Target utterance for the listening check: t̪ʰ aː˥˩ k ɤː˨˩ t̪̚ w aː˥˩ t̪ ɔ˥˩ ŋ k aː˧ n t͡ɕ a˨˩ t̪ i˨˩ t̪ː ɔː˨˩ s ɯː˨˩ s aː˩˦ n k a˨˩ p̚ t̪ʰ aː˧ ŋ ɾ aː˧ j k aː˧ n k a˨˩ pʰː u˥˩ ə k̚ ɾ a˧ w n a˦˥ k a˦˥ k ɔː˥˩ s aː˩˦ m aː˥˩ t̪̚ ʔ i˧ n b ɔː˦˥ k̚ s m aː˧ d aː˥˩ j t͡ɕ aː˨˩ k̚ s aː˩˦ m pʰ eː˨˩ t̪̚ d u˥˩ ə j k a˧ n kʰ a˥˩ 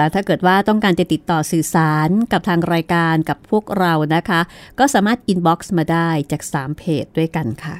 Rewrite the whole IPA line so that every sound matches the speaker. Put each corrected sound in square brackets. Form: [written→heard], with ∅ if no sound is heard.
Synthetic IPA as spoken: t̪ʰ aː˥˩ k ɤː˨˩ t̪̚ w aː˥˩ t̪ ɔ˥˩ ŋ k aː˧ n t͡ɕ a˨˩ t̪ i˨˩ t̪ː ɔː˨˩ s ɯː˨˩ s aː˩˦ n k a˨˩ p̚ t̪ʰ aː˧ ŋ ɾ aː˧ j k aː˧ n k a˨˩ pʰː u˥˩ ə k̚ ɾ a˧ w n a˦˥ [k→kʰ] a˦˥ k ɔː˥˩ s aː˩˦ m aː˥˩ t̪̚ ʔ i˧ n b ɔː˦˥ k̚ s m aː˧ d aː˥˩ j t͡ɕ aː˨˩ k̚ s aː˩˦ m pʰ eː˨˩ t̪̚ d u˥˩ ə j k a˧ n kʰ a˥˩